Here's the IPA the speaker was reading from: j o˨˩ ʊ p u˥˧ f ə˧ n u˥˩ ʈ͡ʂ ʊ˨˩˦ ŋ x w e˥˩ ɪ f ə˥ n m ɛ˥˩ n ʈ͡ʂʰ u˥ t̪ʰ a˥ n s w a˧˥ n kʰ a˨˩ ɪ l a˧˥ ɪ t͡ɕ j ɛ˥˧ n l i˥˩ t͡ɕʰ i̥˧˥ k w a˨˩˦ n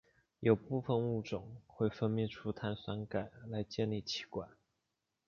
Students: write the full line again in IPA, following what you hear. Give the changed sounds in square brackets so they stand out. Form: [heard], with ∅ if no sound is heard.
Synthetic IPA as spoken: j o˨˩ ʊ p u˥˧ f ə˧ n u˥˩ ʈ͡ʂ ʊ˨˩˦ ŋ x w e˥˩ ɪ f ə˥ n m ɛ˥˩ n ʈ͡ʂʰ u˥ t̪ʰ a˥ n s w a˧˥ n [k] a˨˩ ɪ l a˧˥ ɪ t͡ɕ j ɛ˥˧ n l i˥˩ t͡ɕʰ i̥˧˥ k w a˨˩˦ n